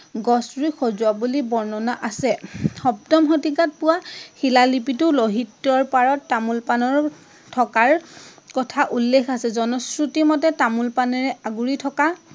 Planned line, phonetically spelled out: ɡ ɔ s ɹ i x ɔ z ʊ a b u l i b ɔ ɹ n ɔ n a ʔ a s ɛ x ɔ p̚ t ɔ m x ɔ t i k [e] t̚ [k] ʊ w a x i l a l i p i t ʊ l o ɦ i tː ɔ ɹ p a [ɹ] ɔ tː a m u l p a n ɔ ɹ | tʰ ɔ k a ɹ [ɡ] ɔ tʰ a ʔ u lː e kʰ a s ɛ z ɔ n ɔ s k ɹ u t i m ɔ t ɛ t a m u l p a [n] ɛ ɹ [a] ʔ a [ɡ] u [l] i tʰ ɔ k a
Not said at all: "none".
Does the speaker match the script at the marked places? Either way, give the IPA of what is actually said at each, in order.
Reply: a, p, ɹ, k, n, ɛ, ɡ, ɹ

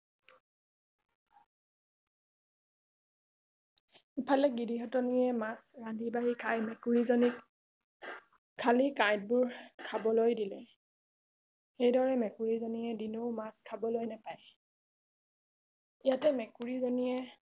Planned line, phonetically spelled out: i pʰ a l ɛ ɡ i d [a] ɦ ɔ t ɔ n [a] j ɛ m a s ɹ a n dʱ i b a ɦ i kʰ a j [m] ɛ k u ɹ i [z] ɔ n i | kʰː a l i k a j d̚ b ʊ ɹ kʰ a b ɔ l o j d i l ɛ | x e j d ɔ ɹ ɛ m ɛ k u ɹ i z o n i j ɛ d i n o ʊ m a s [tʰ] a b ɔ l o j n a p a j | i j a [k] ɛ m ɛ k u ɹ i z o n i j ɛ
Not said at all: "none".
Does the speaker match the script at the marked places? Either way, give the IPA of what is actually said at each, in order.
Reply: i, i, m, z, kʰ, t

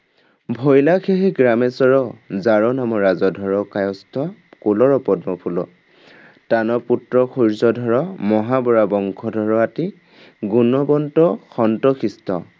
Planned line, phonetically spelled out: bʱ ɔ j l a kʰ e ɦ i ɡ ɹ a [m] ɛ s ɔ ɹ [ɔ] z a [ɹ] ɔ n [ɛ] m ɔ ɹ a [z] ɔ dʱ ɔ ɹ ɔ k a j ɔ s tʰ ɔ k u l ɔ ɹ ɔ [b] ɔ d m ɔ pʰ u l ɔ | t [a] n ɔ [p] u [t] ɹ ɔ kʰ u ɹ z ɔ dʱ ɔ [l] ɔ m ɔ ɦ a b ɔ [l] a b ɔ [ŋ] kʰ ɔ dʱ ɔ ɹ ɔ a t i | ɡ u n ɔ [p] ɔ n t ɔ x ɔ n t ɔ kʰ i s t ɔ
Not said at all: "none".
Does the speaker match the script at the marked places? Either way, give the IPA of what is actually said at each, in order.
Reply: m, ɔ, ɹ, a, z, p, a, p, t, ɹ, ɹ, ŋ, b

